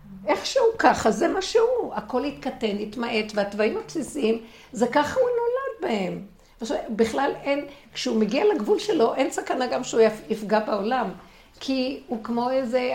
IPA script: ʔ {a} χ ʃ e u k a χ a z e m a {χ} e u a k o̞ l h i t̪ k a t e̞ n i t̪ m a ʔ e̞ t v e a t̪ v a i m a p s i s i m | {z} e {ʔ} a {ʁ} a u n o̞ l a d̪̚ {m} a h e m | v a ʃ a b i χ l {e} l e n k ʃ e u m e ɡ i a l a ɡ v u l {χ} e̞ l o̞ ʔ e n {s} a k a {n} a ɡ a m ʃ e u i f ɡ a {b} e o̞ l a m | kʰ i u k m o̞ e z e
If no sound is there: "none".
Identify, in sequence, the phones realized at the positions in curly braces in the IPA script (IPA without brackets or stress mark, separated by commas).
e, ʃ, z, k, χ, b, a, ʃ, s, n, b